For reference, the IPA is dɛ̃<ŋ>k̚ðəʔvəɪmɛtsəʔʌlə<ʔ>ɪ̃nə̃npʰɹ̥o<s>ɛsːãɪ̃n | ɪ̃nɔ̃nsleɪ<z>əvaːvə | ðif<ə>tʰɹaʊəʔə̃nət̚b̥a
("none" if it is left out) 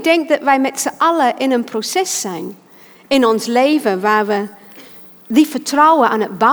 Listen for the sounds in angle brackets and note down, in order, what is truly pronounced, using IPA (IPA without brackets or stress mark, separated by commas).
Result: ŋ, ʔ, s, v, ə